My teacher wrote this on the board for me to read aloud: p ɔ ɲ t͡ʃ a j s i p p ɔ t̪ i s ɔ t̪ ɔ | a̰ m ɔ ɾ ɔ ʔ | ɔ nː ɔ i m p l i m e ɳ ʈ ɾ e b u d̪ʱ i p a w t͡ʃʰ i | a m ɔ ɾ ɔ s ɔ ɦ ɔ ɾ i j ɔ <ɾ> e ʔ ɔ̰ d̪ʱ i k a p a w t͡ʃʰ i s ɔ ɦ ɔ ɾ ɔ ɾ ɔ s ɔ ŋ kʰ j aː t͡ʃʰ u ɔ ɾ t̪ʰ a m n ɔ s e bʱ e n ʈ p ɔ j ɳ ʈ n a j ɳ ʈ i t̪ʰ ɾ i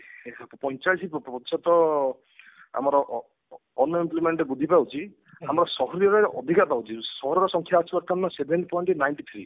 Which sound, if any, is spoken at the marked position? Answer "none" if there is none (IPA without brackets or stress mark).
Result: ɾ